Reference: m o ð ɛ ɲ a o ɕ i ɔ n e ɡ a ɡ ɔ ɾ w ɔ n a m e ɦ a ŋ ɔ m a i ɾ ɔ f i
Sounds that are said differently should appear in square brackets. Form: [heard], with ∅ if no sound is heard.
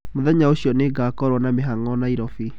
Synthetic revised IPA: m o ð ɛ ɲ a o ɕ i ɔ n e ɡ a [k] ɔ ɾ w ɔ n a m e ɦ a ŋ ɔ [n] a i ɾ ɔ f i